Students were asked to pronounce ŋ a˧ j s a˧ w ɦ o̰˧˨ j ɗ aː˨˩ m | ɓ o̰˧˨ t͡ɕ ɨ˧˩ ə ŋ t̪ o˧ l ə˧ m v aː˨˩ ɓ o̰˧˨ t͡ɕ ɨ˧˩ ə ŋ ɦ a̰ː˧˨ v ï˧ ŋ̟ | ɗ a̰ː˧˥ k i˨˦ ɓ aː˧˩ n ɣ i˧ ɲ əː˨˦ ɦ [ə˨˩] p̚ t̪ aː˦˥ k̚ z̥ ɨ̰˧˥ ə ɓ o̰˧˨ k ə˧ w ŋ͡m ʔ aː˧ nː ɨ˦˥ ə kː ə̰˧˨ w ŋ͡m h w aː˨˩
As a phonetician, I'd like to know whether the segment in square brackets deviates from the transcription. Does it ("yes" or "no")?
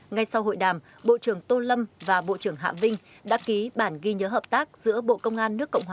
yes